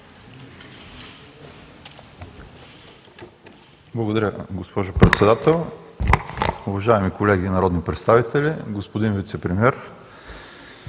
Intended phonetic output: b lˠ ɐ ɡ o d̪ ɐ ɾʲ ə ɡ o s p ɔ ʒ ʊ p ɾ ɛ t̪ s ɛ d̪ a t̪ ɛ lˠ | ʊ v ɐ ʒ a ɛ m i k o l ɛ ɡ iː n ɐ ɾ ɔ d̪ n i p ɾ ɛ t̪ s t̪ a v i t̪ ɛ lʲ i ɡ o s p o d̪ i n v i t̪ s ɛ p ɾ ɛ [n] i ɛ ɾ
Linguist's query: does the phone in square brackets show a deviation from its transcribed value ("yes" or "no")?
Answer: yes